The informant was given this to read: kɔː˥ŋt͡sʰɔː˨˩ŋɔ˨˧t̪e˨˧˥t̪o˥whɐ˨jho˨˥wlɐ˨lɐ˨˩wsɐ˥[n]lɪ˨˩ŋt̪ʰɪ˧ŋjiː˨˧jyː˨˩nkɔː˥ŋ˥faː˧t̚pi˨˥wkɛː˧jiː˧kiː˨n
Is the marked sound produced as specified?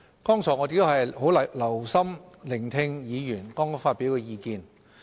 no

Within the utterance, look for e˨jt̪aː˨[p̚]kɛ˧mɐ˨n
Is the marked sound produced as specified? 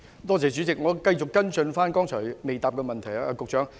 yes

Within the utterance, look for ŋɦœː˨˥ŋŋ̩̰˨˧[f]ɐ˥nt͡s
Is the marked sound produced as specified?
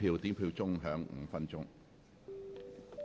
yes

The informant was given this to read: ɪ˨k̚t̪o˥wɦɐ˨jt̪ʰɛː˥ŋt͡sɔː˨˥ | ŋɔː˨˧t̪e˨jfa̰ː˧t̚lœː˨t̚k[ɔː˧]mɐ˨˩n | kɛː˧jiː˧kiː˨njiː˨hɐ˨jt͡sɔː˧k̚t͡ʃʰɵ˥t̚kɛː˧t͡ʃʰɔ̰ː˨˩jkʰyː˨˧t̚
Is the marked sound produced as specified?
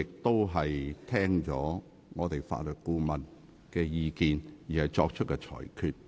no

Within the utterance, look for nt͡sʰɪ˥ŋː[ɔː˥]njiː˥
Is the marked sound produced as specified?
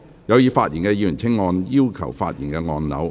no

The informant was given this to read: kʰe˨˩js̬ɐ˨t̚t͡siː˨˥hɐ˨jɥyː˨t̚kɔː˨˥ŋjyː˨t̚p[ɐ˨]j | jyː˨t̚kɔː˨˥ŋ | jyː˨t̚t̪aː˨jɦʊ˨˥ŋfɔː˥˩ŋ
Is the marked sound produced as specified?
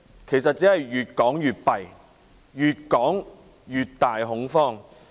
yes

